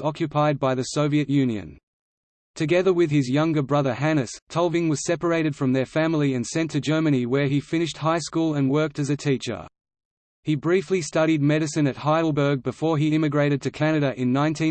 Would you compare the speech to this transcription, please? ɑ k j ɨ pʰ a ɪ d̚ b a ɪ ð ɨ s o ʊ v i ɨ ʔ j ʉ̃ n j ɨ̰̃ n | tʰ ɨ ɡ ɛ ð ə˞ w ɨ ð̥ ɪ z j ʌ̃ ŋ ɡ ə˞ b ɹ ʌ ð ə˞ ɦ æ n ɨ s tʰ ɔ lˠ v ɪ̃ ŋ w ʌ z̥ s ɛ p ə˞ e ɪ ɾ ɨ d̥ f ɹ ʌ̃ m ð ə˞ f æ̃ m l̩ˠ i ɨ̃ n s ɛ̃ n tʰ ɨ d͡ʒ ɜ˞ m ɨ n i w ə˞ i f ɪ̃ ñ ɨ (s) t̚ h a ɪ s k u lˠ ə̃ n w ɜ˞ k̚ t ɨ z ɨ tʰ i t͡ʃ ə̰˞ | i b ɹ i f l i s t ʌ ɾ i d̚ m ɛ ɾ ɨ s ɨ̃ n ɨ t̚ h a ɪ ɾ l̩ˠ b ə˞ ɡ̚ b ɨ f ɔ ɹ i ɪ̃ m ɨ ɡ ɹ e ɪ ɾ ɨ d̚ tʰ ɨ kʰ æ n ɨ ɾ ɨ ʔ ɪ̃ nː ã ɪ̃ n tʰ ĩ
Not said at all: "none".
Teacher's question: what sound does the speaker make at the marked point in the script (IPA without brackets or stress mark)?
ʃ